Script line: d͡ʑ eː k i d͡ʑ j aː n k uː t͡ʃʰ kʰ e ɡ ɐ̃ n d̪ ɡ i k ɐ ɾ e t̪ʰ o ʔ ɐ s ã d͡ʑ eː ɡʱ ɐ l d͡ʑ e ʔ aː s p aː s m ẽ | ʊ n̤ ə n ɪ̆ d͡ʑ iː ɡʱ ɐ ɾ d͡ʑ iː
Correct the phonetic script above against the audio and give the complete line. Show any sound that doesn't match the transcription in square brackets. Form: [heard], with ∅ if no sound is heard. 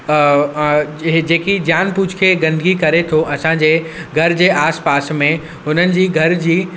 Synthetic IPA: d͡ʑ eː k i d͡ʑ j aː n [p] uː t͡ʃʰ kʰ e ɡ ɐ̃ n d̪ ɡ i k ɐ ɾ e t̪ʰ o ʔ ɐ s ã d͡ʑ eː ɡʱ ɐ [ɾ] d͡ʑ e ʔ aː s p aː s m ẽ | ʊ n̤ ə n ɪ̆ d͡ʑ iː ɡʱ ɐ ɾ d͡ʑ iː

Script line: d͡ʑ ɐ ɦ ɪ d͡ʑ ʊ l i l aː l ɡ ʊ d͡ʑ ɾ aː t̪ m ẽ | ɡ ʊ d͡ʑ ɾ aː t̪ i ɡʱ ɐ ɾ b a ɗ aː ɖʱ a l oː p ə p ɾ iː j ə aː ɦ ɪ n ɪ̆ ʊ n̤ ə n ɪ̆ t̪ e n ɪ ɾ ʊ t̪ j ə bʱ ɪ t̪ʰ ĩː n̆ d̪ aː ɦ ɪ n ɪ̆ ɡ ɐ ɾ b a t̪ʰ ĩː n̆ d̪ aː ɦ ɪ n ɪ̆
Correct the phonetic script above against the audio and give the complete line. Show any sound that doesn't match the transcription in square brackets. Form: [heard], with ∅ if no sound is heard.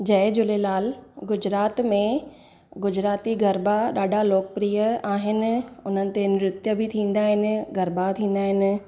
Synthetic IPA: d͡ʑ ɐ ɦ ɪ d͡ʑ ʊ l [e] l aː l ɡ ʊ d͡ʑ ɾ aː t̪ m ẽ | ɡ ʊ d͡ʑ ɾ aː t̪ i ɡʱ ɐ ɾ b a ɗ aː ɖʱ a l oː [k] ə p ɾ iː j ə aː ɦ ɪ n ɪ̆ ʊ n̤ ə n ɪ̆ t̪ e n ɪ ɾ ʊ t̪ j ə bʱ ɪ t̪ʰ ĩː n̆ d̪ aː ɦ ɪ n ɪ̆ ɡ ɐ ɾ b a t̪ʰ ĩː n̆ d̪ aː ɦ ɪ n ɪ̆

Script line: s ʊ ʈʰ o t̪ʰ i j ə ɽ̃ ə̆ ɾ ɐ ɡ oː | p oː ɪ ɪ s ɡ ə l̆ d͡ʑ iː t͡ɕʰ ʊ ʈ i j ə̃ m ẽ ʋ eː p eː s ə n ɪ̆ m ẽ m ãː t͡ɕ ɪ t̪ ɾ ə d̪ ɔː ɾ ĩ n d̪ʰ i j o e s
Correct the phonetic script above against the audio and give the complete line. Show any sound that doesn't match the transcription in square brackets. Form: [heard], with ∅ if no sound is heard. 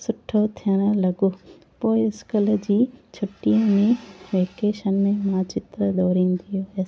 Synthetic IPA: s ʊ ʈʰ o t̪ʰ i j ə ɽ̃ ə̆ [l] ɐ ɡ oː | p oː ɪ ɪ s [k] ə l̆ d͡ʑ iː t͡ɕʰ ʊ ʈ i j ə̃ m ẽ ʋ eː [k] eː [ʃ] ə n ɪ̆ m ẽ m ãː t͡ɕ ɪ t̪ ɾ ə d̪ ɔː ɾ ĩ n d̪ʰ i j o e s

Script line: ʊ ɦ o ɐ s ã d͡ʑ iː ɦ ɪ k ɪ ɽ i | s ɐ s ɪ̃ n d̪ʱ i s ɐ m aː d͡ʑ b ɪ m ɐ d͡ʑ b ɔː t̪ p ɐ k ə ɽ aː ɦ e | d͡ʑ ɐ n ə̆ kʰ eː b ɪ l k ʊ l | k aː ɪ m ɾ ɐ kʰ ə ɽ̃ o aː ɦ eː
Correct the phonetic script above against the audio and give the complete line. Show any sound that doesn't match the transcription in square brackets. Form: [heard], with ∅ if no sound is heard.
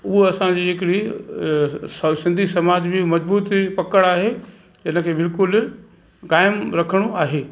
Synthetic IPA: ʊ ɦ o ɐ s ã d͡ʑ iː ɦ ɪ k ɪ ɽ i | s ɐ s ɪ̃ n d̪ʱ i s ɐ m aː d͡ʑ b ɪ m ɐ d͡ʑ b [uː] t̪ p ɐ k ə ɽ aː ɦ e | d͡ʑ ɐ n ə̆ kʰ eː b ɪ l k ʊ l | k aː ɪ m ɾ ɐ kʰ ə ɽ̃ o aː ɦ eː

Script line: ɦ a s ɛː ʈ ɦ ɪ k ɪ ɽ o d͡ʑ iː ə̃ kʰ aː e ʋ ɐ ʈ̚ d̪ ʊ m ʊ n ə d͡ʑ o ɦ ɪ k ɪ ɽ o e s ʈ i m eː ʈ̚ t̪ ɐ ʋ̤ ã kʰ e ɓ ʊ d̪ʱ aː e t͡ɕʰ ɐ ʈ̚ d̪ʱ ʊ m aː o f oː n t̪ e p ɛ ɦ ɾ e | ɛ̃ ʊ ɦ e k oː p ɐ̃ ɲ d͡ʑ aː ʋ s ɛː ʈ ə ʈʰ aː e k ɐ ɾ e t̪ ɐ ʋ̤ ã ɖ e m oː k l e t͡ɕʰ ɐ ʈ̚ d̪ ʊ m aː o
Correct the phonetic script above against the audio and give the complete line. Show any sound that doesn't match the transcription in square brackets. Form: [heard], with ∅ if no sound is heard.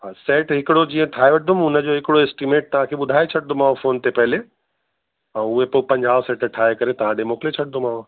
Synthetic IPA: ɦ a s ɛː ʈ ɦ ɪ k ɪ ɽ o d͡ʑ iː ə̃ [ʈʰ] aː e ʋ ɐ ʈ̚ d̪ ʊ m ʊ n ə d͡ʑ o ɦ ɪ k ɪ ɽ o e s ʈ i m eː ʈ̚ t̪ ɐ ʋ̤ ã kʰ e ɓ ʊ d̪ʱ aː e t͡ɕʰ ɐ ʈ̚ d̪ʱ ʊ m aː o f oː n t̪ e p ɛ ɦ [l] e | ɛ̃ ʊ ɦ e [p] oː p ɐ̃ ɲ d͡ʑ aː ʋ s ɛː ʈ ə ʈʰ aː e k ɐ ɾ e t̪ ɐ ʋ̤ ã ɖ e m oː k l e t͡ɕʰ ɐ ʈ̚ d̪ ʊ m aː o

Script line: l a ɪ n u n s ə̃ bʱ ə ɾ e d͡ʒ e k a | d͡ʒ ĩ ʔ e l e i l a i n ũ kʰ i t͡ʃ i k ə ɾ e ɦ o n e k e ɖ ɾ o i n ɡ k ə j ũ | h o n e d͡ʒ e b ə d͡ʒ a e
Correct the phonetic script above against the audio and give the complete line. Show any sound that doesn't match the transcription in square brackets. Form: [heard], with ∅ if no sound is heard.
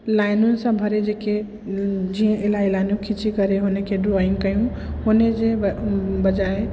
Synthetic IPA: l a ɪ n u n s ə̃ bʱ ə ɾ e d͡ʒ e k [e] | d͡ʒ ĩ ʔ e l [a] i l a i n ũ kʰ i t͡ʃ i k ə ɾ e ɦ o n e k e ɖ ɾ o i [ŋ] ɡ k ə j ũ | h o n e d͡ʒ e b ə d͡ʒ a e

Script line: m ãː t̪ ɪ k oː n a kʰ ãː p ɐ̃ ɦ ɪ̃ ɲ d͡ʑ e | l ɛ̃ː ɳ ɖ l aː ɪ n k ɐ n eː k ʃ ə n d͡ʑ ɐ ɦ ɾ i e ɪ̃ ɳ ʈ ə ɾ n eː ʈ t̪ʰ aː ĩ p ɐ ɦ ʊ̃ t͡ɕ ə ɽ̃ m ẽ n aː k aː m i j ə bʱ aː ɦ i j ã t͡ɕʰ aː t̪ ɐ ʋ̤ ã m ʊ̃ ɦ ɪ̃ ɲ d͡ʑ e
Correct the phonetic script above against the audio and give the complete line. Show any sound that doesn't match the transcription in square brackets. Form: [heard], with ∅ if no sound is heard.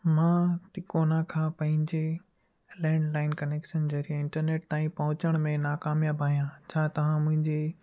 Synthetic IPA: m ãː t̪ ɪ k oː n a kʰ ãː p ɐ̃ ɦ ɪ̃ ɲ d͡ʑ e | l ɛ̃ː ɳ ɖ l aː ɪ n k ɐ n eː k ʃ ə n d͡ʑ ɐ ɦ ɾ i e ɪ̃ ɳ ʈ ə ɾ n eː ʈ [t̪] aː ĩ p ɐ ɦ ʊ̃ t͡ɕ ə ɽ̃ m ẽ n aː k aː m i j [a] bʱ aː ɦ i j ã t͡ɕʰ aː t̪ ɐ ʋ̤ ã m ʊ̃ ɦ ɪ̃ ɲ d͡ʑ e

